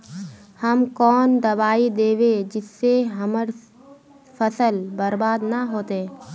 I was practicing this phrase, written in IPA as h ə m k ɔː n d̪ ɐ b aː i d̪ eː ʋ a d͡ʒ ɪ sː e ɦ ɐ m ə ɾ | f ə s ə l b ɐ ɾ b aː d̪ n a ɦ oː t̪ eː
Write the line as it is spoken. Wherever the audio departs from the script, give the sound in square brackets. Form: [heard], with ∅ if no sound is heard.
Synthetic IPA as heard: h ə m k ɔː n d̪ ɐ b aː i d̪ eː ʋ [e] d͡ʒ ɪ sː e ɦ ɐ m ə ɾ | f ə s ə l b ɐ ɾ b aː d̪ n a ɦ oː t̪ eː

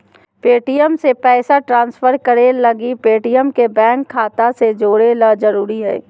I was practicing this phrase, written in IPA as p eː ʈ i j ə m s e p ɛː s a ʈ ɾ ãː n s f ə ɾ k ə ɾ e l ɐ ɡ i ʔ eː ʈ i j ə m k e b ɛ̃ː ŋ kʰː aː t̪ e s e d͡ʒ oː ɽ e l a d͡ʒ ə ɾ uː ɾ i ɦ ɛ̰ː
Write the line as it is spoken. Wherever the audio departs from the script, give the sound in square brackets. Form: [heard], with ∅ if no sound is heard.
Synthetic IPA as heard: p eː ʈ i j ə m s e p ɛː s a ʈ ɾ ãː n s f ə ɾ k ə ɾ e l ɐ ɡ i [p] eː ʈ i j ə m k e b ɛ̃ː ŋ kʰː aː t̪ [a] s e d͡ʒ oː ɽ e l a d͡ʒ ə ɾ uː ɾ i ɦ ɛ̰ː

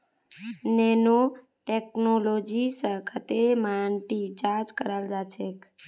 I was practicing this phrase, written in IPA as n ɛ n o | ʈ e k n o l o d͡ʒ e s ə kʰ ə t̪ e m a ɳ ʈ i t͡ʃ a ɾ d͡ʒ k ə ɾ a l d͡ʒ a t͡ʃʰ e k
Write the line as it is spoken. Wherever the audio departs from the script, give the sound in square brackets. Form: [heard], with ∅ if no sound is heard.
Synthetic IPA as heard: n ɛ n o | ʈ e k n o l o d͡ʒ [i] s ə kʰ ə t̪ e m a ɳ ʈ i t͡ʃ a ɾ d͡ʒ k ə ɾ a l d͡ʒ a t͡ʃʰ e k

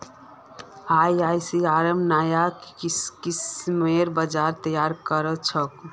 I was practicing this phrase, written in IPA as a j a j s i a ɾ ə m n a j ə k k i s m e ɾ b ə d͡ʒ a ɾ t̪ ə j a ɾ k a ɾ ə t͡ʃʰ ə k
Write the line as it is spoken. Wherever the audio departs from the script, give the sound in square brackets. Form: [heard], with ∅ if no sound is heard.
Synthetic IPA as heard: a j a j s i a ɾ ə m n a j [a] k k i s m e ɾ b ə d͡ʒ a ɾ t̪ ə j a ɾ k [ə] ɾ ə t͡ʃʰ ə k

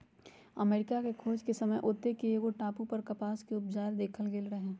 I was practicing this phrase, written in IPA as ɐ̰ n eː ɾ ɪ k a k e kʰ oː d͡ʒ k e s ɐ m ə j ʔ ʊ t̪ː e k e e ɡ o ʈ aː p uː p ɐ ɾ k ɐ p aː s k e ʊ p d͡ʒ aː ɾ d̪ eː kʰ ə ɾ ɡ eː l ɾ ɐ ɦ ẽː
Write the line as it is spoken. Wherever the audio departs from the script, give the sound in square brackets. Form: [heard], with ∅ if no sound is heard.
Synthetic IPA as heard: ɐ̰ [m] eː ɾ ɪ k a k e kʰ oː d͡ʒ k e s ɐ m ə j ʔ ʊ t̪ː e k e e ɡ o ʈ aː p [u] p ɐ ɾ k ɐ p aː s k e ʊ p d͡ʒ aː ɾ d̪ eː kʰ ə [l] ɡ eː l ɾ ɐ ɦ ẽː

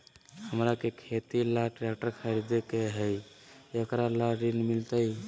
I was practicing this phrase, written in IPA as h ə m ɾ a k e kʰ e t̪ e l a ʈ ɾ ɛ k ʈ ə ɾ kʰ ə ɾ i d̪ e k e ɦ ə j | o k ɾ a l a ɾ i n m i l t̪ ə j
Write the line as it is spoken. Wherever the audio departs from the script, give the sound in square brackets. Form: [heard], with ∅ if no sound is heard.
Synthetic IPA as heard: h ə m ɾ a k e kʰ e t̪ [i] l a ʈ ɾ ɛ k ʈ ə ɾ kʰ ə ɾ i d̪ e k e ɦ ə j | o k ɾ a l a ɾ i n m i l t̪ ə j

